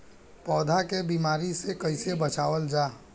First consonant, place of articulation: labial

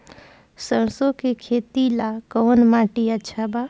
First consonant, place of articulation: alveolar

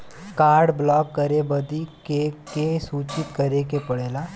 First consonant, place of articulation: velar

